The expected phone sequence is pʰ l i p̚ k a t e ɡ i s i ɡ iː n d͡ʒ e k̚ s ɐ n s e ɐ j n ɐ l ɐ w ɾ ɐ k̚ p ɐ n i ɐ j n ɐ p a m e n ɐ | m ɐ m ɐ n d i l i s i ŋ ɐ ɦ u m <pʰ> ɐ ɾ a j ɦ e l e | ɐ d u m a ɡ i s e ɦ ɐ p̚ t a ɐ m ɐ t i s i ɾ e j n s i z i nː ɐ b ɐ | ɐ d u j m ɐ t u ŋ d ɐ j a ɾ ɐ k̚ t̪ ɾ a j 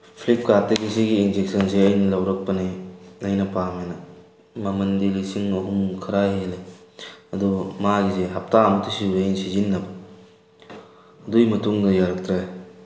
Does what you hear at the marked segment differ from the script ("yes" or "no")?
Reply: yes